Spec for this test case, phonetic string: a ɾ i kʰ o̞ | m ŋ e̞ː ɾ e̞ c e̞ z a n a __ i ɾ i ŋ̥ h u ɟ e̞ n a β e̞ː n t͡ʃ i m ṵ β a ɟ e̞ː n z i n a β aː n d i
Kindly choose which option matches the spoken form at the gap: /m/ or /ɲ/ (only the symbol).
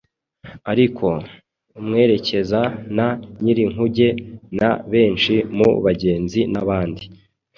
ɲ